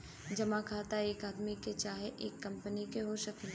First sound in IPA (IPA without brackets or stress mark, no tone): d͡ʒ